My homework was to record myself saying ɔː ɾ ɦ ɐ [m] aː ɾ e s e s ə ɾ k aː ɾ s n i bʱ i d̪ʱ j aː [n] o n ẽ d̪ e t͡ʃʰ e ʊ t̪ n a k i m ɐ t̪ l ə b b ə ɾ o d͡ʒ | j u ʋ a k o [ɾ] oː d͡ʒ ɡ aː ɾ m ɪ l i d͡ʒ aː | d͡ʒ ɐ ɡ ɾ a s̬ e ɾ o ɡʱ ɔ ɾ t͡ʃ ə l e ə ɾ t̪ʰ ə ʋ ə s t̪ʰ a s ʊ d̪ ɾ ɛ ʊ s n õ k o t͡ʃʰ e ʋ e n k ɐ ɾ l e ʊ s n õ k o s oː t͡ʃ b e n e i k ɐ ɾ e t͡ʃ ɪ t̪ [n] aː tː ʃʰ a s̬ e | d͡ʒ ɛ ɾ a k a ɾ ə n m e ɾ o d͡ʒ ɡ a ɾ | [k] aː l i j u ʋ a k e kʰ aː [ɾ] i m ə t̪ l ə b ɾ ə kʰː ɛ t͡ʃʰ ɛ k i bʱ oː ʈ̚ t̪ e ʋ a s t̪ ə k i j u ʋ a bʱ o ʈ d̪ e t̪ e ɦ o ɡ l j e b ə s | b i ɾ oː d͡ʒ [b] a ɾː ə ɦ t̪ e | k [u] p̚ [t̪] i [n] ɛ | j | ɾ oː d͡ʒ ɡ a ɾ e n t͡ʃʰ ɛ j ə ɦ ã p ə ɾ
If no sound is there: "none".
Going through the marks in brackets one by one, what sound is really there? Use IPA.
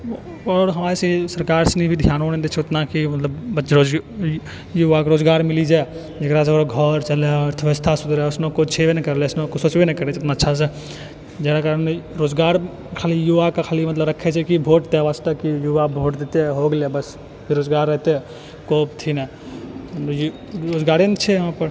m, n, ɾ, n, kʰ, l, ɡ, o, t̪ʰ, n

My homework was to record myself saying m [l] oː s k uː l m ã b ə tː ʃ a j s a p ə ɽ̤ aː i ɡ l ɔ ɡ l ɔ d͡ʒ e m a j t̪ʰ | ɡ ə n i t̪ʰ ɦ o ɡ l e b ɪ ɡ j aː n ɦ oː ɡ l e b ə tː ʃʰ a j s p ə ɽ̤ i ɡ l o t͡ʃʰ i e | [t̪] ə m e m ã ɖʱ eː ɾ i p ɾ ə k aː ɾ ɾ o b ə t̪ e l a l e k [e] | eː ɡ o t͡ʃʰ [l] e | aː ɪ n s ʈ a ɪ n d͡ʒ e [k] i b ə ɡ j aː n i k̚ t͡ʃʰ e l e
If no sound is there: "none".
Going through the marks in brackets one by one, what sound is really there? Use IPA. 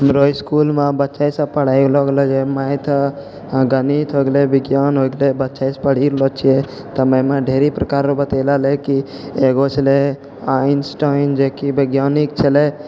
ɾ, t̪, i, l, k

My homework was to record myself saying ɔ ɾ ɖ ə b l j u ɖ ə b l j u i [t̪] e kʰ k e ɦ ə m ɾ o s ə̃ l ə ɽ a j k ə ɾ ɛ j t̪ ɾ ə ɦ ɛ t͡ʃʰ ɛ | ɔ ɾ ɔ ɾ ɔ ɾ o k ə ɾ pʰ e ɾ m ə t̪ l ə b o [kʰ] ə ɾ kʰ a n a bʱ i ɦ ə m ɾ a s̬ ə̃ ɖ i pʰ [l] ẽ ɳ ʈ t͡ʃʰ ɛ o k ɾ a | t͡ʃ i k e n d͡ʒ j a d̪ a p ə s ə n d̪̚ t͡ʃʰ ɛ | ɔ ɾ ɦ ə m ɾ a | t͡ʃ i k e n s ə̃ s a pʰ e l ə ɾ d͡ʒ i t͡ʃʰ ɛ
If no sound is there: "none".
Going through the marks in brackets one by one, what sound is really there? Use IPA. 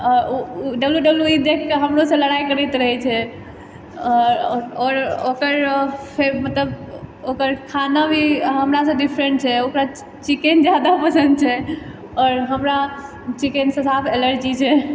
d̪, k, ɾ

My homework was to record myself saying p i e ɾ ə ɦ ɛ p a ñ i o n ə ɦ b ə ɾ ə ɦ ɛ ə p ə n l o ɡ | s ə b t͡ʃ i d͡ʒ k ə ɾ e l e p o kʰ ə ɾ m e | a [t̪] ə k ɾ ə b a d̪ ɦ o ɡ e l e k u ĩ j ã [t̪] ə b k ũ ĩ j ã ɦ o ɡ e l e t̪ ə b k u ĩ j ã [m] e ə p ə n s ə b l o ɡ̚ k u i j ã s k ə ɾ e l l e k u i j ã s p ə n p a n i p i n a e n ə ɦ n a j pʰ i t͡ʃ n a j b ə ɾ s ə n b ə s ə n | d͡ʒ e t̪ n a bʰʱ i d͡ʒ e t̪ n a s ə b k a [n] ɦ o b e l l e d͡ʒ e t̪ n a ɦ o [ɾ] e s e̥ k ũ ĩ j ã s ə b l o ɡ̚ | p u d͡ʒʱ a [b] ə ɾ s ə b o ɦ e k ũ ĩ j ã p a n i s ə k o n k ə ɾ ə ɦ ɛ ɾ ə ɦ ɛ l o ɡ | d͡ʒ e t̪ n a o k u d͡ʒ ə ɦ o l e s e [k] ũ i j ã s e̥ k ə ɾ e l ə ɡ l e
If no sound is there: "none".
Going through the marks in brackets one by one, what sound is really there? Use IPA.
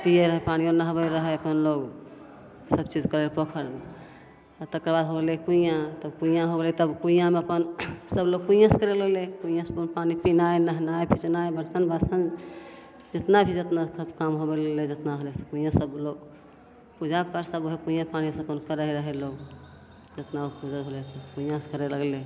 t̪, t̪, m, m, l, p, k

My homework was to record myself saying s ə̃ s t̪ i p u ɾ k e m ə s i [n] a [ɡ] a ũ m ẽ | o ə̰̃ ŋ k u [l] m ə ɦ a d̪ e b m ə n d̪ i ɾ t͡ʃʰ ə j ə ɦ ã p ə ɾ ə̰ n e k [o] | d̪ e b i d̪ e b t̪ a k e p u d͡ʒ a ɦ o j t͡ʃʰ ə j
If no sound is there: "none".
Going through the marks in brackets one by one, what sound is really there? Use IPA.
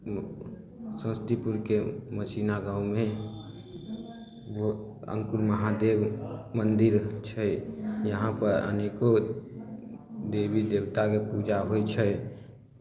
n, ɡ, ɾ, o

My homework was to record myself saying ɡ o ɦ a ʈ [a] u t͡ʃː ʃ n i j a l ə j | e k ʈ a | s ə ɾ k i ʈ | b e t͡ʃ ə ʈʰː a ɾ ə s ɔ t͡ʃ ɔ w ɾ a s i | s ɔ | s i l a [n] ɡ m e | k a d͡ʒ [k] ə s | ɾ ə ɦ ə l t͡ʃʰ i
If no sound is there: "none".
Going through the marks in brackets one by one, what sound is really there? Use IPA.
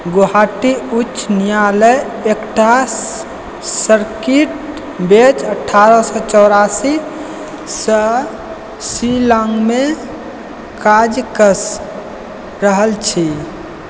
i, ŋ, k

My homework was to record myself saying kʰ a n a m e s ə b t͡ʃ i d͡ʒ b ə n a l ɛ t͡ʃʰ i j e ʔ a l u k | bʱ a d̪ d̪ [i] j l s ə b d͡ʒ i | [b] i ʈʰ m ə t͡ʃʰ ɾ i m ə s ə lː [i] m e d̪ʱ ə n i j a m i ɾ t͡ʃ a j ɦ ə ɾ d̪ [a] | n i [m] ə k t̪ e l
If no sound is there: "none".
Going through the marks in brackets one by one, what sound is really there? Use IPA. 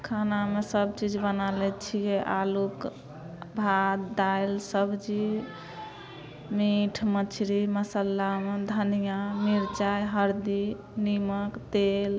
a, m, a, i, m

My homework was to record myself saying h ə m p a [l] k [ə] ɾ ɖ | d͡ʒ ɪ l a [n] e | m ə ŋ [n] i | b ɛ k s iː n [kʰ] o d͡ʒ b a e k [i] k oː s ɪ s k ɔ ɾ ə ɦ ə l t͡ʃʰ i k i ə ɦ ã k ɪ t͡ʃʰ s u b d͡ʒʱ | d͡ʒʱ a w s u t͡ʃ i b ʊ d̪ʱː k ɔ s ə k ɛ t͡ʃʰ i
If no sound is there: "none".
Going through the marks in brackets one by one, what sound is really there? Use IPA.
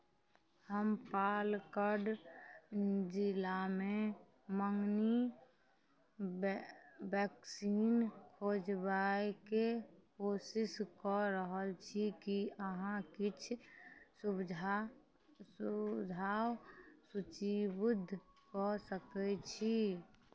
l, ə, m, n, kʰ, e

